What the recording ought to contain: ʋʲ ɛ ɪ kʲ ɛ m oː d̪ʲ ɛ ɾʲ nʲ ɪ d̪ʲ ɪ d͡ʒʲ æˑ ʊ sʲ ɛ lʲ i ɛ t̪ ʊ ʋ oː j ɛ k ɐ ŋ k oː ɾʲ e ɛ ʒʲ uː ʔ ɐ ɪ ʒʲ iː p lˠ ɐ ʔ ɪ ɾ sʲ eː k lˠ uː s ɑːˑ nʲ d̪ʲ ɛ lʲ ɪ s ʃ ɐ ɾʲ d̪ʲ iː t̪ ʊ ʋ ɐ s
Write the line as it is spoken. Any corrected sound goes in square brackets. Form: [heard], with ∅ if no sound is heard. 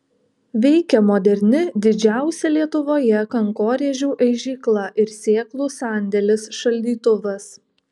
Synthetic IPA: ʋʲ ɛ ɪ kʲ ɛ m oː d̪ʲ ɛ ɾʲ nʲ ɪ d̪ʲ ɪ d͡ʒʲ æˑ ʊ sʲ ɛ lʲ i ɛ t̪ ʊ ʋ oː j ɛ k ɐ ŋ k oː ɾʲ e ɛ ʒʲ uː ʔ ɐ ɪ ʒʲ iː [k] lˠ ɐ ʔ ɪ ɾ sʲ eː k lˠ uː s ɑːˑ nʲ d̪ʲ ɛ lʲ ɪ s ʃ ɐ [lʲ] d̪ʲ iː t̪ ʊ ʋ ɐ s